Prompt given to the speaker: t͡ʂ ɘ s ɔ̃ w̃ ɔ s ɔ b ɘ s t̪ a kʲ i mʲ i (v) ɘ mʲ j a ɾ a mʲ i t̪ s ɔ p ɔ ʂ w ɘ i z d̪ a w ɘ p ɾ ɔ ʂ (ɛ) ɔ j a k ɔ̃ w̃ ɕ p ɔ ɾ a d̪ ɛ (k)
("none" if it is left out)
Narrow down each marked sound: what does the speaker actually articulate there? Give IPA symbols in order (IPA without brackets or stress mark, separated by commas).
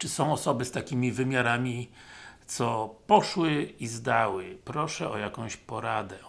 v, ɛ, none